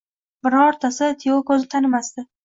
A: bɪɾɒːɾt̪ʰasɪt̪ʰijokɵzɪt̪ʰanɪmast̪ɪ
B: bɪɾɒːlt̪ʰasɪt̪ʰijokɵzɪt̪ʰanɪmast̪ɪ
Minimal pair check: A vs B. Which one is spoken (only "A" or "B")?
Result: A